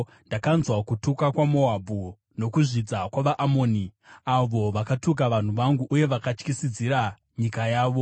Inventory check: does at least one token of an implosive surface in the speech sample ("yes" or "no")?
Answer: no